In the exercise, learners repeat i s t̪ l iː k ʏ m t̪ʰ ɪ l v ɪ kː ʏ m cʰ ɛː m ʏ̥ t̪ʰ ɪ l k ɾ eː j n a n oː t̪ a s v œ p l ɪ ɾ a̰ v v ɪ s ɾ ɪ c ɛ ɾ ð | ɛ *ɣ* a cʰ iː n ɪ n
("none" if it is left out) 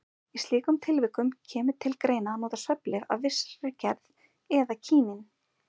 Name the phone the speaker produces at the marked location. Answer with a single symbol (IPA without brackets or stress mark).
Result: ð